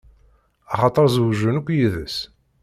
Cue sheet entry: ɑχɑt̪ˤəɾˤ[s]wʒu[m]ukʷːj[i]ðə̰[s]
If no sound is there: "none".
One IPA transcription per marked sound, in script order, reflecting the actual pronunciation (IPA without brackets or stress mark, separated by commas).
z, n, i, s